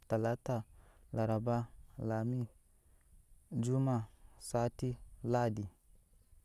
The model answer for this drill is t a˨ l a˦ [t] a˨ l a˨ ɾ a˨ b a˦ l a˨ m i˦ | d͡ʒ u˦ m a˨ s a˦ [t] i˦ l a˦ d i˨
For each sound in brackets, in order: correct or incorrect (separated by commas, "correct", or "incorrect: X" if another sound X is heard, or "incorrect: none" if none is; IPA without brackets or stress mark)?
correct, correct